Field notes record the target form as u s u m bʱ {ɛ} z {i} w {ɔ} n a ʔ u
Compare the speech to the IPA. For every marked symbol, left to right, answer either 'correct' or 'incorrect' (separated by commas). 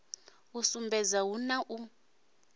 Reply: correct, incorrect, incorrect